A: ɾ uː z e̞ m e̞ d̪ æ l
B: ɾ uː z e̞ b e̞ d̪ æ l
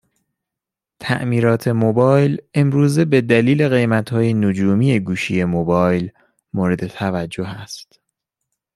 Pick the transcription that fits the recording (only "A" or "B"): B